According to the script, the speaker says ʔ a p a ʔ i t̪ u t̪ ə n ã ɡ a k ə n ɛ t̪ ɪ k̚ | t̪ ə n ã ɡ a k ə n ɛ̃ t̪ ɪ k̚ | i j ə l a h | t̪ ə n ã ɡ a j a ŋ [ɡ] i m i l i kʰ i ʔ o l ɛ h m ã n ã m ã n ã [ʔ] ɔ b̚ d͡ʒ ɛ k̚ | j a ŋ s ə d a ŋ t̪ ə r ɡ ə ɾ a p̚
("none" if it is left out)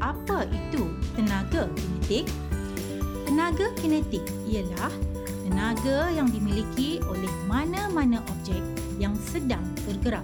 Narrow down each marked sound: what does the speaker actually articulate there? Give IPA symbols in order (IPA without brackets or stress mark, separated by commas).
d, ʔ